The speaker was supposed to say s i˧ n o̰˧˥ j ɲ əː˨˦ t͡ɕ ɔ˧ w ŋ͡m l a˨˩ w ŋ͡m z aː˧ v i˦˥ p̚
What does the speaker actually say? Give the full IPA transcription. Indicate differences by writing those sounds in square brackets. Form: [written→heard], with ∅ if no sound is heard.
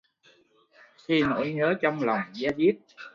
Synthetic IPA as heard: [s→x] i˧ n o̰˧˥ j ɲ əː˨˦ t͡ɕ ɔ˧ w ŋ͡m l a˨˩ w ŋ͡m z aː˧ [v→z] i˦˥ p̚